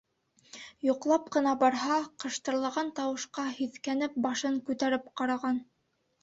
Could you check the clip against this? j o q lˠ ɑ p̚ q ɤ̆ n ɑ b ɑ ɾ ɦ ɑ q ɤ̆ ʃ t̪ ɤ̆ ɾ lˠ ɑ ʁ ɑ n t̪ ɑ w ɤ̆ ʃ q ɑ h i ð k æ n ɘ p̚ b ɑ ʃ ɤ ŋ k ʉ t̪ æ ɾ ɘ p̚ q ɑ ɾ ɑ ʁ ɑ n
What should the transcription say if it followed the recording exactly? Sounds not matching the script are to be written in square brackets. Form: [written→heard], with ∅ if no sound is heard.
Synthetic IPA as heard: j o q lˠ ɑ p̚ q ɤ̆ n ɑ b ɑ ɾ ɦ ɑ q ɤ̆ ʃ t̪ ɤ̆ ɾ lˠ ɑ ʁ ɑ n t̪ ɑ w ɤ̆ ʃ q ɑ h i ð k æ n ɘ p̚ b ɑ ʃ ɤ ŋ k ʉ t̪ æ ɾ ɘ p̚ q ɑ ɾ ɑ ʁ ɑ n